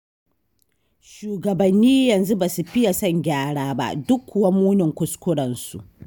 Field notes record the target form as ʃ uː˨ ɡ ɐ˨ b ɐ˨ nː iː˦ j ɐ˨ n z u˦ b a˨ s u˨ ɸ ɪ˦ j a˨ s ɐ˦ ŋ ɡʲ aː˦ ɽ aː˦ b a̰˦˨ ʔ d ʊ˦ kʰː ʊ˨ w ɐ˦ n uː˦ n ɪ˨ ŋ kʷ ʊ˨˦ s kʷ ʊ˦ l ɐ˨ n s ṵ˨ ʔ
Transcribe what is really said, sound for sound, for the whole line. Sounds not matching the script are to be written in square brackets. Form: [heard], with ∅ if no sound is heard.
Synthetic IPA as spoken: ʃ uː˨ ɡ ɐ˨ b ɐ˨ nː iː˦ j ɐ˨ n z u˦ b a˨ s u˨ ɸ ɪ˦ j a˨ s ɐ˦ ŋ ɡʲ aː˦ ɽ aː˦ b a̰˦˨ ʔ d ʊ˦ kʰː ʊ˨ w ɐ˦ [m] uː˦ n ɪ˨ ŋ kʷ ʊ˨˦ s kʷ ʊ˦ [ɽ] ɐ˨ n s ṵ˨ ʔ